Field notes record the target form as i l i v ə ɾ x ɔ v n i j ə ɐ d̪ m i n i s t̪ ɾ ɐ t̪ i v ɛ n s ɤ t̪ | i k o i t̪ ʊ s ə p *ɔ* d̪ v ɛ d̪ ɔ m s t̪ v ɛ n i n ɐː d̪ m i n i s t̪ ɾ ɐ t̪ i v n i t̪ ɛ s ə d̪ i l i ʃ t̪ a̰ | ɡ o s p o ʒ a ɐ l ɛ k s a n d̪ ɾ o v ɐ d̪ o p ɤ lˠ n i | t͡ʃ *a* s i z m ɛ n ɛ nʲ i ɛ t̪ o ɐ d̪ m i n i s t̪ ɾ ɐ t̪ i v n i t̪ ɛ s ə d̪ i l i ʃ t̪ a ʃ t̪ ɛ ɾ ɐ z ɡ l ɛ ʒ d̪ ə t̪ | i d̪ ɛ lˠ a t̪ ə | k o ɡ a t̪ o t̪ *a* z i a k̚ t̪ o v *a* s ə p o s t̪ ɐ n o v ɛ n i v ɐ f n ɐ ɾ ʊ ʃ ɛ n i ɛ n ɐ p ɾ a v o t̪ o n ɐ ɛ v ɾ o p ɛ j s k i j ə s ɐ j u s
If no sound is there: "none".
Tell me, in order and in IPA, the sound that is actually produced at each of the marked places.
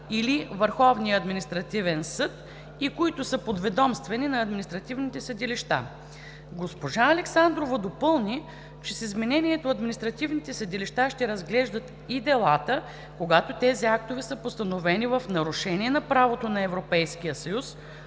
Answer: o, ɛ, ɛ, ɛ

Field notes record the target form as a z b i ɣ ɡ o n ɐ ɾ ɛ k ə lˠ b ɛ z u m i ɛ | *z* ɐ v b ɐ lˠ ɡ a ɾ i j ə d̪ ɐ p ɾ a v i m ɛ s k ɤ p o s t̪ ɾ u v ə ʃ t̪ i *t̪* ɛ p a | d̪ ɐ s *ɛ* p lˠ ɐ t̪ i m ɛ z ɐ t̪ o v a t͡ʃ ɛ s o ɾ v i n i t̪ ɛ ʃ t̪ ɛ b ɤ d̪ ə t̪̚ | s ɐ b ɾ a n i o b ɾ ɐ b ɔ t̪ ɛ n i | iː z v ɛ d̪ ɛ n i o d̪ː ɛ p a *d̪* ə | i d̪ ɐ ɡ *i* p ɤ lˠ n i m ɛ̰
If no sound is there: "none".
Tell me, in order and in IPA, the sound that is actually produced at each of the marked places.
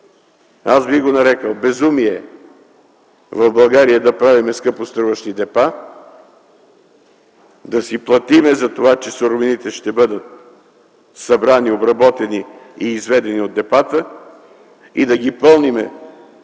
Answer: v, d̪, i, t̪, i

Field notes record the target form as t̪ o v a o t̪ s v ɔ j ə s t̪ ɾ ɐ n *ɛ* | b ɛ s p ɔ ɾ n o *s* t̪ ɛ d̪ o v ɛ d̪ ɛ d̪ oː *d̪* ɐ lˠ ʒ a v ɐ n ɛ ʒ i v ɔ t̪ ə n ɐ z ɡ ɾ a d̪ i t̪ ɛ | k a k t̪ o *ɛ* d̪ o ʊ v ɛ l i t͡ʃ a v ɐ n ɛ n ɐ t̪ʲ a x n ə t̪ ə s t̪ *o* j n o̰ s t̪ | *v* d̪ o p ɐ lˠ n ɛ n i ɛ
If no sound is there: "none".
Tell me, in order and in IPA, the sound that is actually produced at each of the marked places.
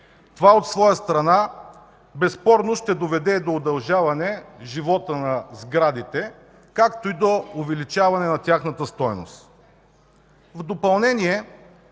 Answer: a, ʃ, d̪, i, ɔ, v

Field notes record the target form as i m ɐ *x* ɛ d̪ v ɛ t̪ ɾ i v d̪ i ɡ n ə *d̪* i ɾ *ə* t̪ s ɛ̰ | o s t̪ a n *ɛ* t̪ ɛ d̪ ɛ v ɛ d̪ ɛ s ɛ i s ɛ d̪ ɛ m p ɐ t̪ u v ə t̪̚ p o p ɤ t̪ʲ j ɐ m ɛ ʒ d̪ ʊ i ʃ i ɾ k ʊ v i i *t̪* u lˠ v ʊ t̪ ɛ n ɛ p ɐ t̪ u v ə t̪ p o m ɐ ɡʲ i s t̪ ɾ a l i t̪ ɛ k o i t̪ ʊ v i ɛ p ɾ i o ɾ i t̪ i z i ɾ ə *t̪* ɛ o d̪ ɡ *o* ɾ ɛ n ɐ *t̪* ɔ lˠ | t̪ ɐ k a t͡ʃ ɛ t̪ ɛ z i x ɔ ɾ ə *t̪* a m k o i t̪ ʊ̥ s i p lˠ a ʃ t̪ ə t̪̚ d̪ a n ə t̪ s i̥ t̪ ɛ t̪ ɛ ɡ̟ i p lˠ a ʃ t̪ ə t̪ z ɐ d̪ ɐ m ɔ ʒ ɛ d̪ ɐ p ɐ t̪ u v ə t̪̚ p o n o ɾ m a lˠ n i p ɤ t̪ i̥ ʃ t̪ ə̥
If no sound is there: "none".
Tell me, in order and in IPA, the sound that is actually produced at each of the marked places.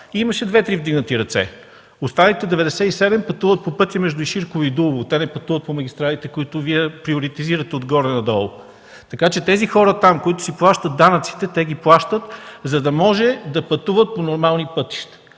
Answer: ʃ, t̪, ɐ, i, d̪, t̪, ɔ, d̪, t̪

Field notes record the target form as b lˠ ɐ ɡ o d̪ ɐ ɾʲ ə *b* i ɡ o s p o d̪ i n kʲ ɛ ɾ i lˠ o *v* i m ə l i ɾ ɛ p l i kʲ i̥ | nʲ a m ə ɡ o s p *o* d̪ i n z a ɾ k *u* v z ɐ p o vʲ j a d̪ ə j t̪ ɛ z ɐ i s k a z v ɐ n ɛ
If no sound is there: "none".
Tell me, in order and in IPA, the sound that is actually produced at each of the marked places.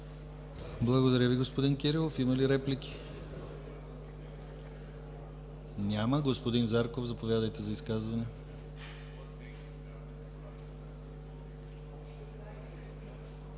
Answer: v, f, o, o

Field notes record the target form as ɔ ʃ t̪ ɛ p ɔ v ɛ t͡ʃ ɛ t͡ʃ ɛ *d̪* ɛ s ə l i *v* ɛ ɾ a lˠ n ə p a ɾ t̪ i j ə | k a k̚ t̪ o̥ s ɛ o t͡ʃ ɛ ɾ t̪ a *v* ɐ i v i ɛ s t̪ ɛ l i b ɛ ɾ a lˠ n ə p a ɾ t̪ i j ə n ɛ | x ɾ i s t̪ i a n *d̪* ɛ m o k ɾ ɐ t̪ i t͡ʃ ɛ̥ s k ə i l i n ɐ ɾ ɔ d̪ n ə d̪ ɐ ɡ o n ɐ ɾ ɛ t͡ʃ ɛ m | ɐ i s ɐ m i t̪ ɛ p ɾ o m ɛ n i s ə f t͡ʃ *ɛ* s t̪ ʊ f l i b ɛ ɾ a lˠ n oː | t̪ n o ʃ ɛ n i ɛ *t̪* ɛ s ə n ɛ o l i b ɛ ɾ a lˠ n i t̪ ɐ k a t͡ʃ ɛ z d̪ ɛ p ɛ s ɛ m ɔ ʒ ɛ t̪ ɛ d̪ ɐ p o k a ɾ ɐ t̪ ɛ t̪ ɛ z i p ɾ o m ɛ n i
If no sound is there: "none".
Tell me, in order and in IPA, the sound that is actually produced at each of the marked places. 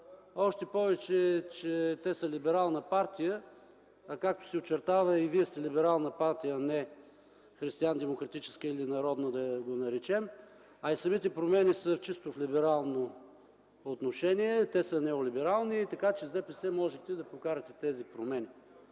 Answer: t̪, b, v, d̪, i, t̪

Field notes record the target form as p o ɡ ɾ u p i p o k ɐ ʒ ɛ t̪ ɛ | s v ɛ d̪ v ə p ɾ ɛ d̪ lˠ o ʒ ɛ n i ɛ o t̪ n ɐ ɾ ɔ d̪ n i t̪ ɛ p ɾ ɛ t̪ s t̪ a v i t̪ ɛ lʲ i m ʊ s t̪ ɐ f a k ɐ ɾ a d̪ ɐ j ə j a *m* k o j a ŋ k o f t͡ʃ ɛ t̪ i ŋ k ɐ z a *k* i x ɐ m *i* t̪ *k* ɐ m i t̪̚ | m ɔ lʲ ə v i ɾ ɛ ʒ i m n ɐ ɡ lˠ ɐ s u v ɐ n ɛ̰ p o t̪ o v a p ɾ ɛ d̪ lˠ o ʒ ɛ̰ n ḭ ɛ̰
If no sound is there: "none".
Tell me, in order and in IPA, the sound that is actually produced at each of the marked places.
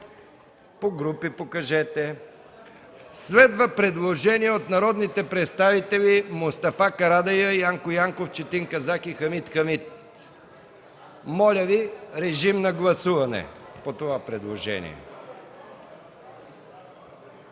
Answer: ŋ, k, i, x

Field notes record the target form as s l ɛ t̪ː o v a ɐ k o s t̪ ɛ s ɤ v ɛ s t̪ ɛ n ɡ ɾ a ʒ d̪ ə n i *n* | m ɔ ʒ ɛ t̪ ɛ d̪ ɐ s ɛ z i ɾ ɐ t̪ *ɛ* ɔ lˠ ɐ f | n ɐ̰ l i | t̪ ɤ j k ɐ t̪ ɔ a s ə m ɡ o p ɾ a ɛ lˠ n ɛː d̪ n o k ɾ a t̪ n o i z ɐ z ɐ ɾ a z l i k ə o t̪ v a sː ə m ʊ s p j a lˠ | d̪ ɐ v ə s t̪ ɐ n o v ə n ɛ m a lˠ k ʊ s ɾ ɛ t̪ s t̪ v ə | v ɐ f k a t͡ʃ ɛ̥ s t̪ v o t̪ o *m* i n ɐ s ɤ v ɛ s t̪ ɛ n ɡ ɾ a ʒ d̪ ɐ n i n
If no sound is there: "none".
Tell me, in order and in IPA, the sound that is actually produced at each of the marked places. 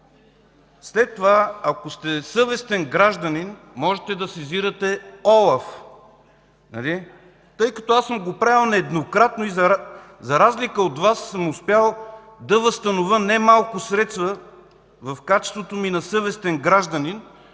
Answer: n, ɛ, m

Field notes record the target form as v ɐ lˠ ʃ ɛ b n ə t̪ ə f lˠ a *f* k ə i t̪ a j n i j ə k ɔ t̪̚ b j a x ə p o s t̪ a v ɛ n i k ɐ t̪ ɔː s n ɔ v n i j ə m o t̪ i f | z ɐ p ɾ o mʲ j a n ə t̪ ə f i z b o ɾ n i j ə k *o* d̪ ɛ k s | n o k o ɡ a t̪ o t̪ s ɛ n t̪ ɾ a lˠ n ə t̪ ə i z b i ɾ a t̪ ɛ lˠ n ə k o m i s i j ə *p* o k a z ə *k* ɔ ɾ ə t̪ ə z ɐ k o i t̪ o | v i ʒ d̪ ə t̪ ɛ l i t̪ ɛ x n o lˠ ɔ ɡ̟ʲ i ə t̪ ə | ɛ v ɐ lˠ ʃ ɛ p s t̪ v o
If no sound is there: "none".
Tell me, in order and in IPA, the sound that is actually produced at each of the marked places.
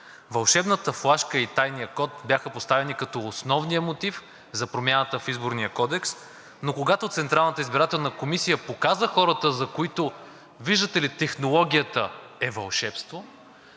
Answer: ʃ, ɔ, p, x

